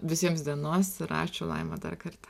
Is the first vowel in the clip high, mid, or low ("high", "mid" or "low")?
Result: high